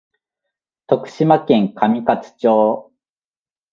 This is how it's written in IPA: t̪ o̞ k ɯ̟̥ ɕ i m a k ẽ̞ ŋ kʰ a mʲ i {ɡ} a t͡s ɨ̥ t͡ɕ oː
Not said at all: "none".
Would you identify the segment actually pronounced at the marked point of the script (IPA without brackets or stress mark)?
k